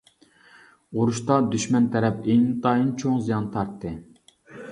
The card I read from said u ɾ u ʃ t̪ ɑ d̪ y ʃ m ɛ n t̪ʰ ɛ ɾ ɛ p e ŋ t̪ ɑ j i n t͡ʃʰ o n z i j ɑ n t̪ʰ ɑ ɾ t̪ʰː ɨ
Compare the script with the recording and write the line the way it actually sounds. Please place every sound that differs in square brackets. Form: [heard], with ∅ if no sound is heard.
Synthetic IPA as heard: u ɾ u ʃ t̪ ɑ d̪ y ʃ m ɛ n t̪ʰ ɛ ɾ ɛ p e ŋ t̪ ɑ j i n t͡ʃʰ o [ŋ] z i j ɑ n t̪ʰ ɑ ɾ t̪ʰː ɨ